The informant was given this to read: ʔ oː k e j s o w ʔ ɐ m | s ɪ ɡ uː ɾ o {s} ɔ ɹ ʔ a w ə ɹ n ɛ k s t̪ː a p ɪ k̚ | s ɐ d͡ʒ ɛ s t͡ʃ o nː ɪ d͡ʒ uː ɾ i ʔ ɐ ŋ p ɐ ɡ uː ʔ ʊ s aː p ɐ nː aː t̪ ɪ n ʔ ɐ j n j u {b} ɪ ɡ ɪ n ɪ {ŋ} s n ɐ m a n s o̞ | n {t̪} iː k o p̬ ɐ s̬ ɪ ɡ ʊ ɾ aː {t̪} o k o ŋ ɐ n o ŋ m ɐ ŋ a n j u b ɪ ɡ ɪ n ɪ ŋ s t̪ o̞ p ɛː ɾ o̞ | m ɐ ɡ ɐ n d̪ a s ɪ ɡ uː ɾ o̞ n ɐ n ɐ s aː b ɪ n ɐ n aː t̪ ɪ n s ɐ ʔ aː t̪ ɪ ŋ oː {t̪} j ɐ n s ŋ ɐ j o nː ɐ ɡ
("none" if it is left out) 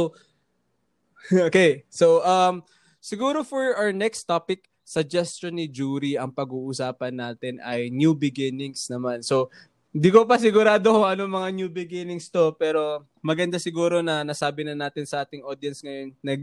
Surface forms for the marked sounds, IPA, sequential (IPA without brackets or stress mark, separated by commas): f, b, ŋ, d̪, d̪, d̪